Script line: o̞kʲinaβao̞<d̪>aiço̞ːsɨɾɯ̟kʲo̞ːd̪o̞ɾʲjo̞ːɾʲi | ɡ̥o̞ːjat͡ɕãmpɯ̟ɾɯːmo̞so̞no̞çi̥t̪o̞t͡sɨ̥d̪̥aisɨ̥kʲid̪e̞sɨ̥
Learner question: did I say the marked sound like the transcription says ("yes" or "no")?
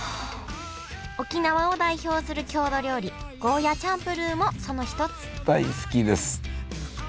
yes